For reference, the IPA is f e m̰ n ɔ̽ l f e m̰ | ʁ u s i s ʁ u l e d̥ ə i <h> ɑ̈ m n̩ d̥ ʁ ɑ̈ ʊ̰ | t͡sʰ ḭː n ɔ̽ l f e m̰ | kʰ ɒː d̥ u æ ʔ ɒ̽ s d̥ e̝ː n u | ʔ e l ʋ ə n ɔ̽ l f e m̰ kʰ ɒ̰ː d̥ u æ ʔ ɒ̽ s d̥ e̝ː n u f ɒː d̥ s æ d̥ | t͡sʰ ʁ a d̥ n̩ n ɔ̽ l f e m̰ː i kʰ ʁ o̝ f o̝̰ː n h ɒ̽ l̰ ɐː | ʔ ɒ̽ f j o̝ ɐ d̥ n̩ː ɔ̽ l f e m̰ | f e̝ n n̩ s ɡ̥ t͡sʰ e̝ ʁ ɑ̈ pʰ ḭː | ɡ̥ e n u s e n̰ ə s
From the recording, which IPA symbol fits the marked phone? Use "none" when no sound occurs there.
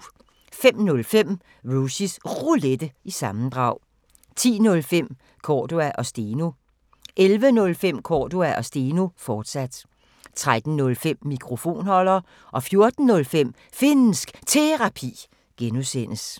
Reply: s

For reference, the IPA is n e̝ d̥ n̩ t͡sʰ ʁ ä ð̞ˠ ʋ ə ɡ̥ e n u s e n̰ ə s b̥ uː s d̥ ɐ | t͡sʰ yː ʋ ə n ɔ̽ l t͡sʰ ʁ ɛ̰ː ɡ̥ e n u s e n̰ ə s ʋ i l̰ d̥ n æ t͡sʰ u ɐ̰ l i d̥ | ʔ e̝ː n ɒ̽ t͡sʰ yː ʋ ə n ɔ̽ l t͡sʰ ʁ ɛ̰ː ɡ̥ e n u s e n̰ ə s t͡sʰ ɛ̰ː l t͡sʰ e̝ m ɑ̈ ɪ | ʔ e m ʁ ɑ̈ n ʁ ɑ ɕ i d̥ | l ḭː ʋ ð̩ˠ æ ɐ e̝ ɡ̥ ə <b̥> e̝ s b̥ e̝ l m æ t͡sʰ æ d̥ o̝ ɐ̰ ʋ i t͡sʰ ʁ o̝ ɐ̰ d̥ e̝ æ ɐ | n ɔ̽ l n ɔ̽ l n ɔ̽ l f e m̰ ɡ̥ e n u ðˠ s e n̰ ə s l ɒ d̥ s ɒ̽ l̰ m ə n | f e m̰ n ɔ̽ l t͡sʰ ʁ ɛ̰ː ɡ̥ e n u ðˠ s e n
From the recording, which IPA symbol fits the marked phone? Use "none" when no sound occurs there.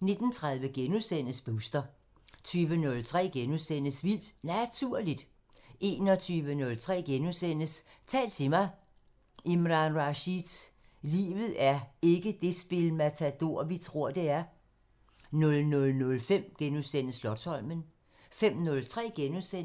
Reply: d̥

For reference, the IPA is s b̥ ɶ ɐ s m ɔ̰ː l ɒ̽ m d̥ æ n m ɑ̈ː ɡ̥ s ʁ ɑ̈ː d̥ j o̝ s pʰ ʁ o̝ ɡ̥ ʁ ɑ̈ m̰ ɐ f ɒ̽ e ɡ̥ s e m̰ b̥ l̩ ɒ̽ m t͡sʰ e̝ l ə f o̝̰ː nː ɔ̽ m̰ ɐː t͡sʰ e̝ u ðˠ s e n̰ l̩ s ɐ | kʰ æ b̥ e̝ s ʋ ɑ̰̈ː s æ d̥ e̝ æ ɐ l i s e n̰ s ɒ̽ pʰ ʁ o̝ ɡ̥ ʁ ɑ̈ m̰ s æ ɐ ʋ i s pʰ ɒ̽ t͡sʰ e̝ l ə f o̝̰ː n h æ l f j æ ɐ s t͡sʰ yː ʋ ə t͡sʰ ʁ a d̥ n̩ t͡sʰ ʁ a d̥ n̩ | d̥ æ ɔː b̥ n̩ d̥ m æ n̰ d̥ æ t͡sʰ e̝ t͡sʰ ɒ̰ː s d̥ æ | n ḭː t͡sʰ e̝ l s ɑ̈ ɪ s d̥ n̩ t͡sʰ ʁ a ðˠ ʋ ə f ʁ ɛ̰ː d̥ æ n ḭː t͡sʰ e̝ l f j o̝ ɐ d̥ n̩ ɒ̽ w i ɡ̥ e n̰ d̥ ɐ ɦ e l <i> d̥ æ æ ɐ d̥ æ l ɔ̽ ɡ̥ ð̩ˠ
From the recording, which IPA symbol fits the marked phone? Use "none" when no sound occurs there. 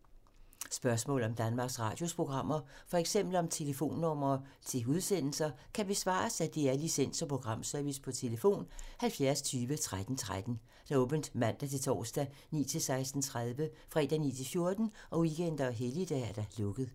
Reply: i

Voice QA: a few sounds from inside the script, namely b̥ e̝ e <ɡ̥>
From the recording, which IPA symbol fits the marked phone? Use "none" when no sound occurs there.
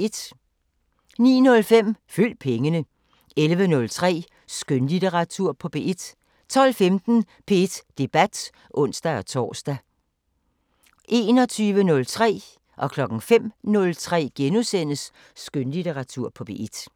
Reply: d̥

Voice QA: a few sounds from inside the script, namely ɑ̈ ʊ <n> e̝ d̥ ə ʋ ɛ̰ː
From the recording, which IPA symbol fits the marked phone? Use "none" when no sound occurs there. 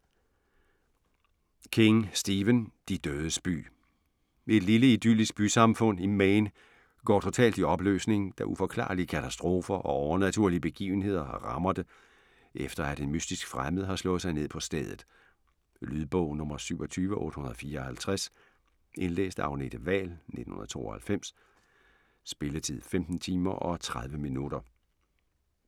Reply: n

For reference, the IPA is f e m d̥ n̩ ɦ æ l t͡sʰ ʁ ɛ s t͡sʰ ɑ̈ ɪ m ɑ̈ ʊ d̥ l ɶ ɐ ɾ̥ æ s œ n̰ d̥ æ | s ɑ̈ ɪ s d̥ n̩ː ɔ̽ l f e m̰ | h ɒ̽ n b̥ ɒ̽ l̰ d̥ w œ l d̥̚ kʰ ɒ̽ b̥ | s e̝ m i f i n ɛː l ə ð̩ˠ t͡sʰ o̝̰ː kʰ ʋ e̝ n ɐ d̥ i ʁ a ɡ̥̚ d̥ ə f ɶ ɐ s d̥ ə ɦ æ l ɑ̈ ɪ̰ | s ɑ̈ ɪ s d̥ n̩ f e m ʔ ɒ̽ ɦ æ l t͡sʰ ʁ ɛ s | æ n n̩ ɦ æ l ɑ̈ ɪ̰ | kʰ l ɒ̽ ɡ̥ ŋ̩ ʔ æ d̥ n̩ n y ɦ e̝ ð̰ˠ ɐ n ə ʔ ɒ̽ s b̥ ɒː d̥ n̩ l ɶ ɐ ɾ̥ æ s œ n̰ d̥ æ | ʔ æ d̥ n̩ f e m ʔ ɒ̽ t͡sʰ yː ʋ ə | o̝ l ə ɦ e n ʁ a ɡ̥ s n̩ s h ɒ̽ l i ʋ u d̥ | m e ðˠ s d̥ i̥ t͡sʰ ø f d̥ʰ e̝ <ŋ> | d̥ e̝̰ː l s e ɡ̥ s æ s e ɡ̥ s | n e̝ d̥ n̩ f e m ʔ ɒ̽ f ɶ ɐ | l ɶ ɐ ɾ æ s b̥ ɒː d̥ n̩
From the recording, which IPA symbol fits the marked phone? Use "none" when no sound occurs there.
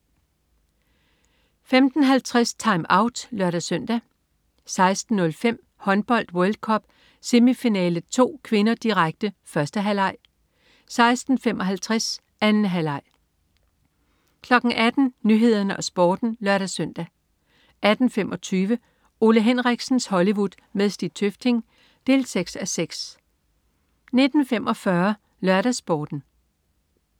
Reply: ŋ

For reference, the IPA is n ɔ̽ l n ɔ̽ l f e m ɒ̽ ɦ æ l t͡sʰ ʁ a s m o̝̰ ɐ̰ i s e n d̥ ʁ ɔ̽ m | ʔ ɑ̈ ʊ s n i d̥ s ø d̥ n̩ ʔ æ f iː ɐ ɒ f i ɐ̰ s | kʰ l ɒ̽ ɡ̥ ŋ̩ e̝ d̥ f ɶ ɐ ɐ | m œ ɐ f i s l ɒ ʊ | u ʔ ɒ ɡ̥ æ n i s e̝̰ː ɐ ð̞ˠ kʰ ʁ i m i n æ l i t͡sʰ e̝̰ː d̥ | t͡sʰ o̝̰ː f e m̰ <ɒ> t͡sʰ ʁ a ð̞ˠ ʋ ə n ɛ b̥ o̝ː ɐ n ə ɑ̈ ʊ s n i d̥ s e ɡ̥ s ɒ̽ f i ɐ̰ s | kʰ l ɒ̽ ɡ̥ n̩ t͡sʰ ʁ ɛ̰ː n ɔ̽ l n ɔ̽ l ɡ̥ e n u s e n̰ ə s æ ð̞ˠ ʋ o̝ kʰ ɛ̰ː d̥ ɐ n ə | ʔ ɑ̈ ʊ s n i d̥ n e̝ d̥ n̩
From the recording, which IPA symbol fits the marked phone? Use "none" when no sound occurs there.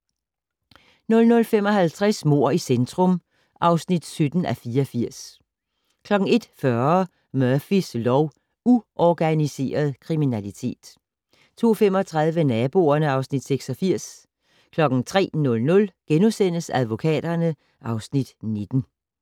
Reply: ɒ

